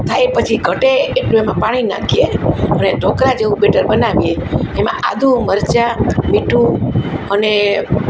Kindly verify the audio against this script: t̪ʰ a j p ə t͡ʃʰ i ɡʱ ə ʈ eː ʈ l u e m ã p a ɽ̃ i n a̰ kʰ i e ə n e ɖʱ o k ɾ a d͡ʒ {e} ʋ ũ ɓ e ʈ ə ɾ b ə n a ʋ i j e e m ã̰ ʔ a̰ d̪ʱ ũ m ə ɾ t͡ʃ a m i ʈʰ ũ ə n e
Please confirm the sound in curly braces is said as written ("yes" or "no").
yes